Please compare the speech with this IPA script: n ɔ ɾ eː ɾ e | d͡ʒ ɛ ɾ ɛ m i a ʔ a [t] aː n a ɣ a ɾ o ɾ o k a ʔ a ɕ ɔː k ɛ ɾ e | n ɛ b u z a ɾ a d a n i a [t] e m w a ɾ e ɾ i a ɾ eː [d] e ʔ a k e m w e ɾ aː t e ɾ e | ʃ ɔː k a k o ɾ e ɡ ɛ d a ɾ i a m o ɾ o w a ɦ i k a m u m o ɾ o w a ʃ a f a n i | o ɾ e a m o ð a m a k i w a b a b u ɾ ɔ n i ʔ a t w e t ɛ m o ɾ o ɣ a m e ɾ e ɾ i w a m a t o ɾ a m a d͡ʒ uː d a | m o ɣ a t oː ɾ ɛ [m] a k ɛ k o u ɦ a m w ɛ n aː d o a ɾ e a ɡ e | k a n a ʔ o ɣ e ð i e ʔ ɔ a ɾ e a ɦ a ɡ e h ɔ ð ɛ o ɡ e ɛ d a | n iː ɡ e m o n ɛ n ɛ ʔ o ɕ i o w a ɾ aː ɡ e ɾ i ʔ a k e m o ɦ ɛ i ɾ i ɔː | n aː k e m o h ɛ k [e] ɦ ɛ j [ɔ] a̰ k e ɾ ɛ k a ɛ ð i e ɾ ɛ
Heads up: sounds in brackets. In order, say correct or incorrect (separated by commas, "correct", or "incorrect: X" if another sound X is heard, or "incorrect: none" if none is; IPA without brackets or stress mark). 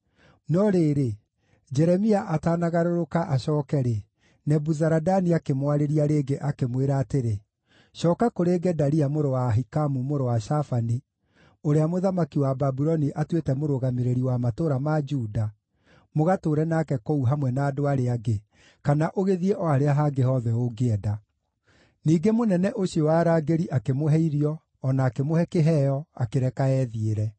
correct, incorrect: k, incorrect: ɡ, incorrect: n, correct, correct